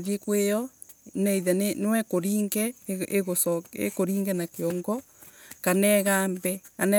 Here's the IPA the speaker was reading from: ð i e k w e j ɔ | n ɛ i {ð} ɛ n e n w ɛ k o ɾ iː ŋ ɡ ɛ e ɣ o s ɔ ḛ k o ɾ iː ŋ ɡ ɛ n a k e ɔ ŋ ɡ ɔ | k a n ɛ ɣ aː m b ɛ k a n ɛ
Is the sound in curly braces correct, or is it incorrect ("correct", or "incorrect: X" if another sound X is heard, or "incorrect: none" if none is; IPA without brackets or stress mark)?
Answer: correct